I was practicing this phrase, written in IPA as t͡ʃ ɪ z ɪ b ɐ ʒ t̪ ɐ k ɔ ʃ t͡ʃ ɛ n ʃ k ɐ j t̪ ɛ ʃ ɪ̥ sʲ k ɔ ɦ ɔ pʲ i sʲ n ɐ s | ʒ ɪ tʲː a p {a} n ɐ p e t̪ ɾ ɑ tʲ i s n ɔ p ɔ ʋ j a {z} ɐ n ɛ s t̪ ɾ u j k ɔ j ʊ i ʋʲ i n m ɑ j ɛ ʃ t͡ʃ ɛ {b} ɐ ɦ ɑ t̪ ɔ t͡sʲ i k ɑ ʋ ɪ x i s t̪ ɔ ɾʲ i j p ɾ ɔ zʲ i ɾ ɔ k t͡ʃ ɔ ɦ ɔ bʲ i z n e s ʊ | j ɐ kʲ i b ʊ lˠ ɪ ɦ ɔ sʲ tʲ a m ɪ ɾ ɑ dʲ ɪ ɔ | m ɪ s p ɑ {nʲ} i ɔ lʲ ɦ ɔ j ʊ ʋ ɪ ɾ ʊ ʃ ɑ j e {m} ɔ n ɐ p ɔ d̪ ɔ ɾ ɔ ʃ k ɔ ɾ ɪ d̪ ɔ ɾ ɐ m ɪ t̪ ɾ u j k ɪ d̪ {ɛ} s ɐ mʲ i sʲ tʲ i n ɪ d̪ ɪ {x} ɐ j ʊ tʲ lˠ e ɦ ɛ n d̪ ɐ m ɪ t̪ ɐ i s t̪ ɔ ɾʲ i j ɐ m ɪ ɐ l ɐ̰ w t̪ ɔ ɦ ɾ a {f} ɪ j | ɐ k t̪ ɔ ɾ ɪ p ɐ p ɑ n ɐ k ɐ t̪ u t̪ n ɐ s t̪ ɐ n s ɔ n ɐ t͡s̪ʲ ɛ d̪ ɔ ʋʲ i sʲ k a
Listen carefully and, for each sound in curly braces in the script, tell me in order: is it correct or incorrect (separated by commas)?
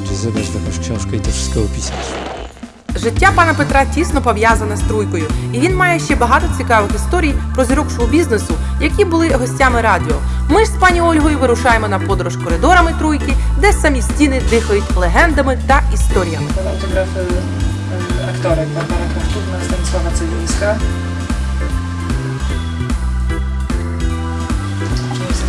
incorrect, correct, correct, correct, correct, correct, correct, correct